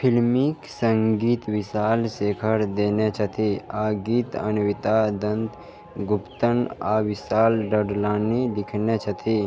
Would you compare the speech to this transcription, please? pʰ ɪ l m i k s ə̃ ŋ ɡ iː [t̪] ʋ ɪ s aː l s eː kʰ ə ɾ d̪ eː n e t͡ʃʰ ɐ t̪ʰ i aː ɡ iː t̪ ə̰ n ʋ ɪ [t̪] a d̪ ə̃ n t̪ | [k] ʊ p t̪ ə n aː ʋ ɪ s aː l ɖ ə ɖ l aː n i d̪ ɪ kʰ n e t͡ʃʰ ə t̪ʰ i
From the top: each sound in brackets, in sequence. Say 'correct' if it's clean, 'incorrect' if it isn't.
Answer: correct, correct, incorrect

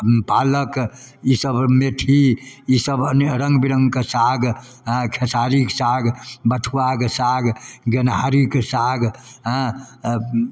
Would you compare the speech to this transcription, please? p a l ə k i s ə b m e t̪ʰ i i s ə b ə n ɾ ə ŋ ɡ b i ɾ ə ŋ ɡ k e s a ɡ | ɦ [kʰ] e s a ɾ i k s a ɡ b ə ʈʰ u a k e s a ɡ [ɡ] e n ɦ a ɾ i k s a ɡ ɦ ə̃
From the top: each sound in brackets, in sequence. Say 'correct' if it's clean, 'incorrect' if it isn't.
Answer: correct, correct

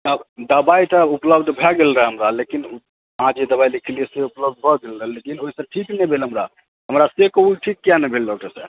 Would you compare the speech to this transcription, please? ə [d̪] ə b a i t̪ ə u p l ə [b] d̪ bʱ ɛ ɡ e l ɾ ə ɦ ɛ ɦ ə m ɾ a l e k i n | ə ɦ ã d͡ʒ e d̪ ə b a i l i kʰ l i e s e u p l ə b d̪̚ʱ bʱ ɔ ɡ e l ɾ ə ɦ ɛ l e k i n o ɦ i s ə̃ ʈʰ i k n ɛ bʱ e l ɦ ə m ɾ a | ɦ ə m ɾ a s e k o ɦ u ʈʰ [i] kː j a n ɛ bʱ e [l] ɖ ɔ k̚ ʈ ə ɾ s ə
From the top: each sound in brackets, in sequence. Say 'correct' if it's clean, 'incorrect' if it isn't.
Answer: correct, correct, correct, correct

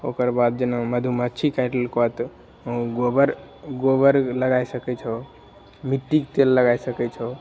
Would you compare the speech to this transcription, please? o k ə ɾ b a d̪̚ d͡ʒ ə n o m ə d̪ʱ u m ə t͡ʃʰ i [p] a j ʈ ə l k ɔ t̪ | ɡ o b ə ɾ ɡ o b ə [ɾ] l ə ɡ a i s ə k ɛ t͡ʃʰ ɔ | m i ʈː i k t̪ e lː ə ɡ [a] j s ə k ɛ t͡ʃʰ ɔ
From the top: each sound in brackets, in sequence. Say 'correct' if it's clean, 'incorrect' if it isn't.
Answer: incorrect, correct, correct

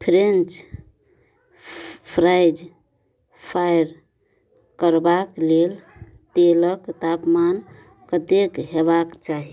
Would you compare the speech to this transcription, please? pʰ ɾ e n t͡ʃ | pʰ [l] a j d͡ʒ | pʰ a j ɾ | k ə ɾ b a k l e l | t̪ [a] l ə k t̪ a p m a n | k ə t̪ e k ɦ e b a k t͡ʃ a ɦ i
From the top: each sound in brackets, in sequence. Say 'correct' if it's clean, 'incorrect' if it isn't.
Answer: incorrect, incorrect

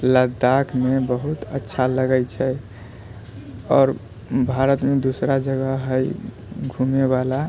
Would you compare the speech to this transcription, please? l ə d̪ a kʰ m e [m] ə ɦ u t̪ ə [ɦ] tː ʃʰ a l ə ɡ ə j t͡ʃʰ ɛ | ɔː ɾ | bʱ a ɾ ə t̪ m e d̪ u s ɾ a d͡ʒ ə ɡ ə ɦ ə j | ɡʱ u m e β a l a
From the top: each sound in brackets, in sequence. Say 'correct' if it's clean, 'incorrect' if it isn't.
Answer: incorrect, incorrect

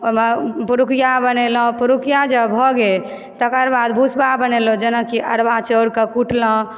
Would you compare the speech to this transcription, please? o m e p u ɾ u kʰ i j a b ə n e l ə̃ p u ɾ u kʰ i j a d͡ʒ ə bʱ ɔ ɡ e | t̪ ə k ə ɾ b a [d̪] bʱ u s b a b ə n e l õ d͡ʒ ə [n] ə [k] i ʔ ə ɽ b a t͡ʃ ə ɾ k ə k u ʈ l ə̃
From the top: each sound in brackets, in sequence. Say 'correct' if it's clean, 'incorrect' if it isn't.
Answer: correct, correct, correct

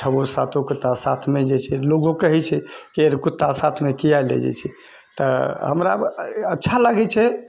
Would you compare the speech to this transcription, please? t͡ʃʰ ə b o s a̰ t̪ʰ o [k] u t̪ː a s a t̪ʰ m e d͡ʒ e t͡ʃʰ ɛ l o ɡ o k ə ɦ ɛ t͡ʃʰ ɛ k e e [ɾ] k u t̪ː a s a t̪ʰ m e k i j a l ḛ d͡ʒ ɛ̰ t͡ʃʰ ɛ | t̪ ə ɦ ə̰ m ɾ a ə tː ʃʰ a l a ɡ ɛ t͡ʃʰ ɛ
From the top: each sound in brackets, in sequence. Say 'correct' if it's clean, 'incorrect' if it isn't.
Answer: correct, correct

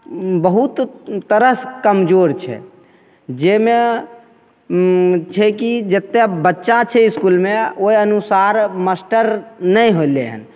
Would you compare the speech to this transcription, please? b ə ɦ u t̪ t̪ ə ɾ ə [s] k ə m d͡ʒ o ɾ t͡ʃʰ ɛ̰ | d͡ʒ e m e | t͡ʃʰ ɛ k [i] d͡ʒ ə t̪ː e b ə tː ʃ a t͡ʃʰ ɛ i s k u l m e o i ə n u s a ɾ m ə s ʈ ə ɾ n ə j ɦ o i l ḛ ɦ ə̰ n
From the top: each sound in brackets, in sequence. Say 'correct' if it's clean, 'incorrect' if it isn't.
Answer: correct, correct

